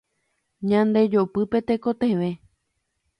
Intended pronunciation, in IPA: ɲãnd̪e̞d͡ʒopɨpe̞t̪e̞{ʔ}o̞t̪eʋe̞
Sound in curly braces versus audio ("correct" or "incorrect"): incorrect